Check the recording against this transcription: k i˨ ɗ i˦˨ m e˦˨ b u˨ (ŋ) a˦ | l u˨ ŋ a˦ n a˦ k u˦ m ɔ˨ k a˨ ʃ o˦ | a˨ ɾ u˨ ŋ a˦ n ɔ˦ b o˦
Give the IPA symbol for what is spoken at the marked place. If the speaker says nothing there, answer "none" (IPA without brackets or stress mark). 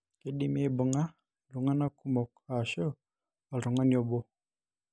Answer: ŋ